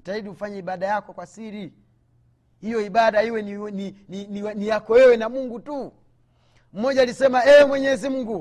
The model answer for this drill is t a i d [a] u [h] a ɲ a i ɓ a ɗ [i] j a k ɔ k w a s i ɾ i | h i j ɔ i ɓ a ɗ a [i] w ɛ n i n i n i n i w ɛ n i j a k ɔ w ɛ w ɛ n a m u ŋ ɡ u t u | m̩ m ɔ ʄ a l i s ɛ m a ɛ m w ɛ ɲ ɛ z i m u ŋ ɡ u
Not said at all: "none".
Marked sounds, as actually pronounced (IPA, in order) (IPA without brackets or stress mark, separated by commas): i, f, a, i